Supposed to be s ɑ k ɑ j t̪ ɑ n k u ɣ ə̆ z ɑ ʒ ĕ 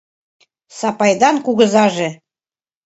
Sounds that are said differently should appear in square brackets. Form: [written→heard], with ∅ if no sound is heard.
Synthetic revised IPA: s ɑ [k→p] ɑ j [t̪→d̪] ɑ n k u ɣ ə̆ z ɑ ʒ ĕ